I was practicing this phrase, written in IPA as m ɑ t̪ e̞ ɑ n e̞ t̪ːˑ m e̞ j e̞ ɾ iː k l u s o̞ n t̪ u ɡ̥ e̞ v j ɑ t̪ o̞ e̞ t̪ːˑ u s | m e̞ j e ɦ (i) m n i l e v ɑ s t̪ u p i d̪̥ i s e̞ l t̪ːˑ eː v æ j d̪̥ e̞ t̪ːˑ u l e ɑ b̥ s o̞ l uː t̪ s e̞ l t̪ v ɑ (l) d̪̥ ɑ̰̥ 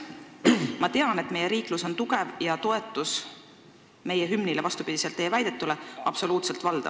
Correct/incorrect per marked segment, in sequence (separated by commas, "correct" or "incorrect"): incorrect, correct